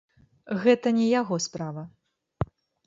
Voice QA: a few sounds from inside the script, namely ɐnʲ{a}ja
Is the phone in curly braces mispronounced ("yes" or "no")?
yes